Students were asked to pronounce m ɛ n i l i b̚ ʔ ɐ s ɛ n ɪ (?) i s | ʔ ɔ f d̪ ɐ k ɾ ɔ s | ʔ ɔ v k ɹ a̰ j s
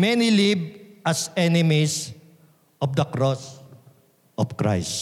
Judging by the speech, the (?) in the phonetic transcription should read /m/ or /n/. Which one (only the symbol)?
m